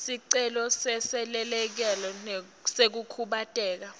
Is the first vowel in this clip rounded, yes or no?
no